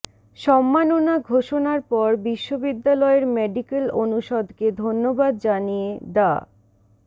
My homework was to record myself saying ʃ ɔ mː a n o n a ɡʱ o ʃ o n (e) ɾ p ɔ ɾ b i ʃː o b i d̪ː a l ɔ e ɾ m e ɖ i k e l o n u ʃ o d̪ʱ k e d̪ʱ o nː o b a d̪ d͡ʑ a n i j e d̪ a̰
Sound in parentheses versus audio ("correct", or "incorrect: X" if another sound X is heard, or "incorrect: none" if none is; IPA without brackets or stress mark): incorrect: a